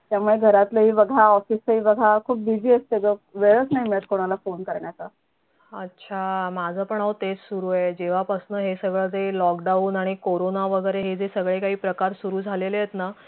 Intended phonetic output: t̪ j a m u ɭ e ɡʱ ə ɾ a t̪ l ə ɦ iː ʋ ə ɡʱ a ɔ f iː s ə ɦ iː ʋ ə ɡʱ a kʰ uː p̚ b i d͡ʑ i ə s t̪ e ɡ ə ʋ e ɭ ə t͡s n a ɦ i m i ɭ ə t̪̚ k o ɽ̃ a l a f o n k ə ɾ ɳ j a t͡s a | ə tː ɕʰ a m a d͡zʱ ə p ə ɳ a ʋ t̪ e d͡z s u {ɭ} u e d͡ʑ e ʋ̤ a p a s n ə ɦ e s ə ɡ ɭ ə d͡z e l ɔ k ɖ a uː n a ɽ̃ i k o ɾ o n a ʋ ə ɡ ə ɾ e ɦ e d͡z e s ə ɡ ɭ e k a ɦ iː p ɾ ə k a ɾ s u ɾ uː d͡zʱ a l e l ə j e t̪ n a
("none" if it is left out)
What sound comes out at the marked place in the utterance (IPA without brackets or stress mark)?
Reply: ɾ